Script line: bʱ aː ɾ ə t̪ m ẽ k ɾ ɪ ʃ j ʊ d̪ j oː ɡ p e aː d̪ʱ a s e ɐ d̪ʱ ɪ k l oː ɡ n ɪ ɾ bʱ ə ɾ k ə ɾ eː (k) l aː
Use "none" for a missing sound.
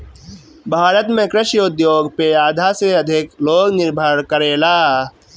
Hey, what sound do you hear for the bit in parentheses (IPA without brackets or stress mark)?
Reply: none